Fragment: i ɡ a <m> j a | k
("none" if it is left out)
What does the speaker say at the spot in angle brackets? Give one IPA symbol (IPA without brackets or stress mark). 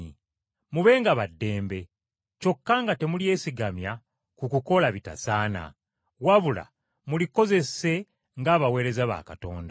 m